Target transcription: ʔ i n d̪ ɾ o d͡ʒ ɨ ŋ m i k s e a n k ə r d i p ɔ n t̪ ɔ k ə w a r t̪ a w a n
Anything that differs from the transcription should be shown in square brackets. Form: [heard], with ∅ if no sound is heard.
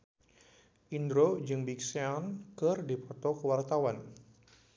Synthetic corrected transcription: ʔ i n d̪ ɾ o d͡ʒ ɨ ŋ [b] i k s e a n k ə r d i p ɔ [∅] t̪ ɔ k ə w a r t̪ a w a n